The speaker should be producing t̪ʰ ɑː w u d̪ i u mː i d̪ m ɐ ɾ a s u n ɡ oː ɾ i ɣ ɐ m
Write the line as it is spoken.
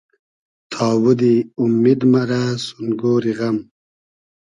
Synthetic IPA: t̪ʰ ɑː w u d̪ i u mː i d̪ m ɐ ɾ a s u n ɡ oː ɾ i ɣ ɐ m